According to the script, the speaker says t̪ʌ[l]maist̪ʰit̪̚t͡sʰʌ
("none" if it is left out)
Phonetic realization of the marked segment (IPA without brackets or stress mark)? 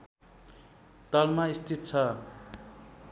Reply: l